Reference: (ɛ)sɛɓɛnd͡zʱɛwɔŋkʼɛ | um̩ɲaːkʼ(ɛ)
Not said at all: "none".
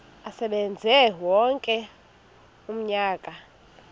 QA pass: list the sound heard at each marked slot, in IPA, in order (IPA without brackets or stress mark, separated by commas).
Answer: a, a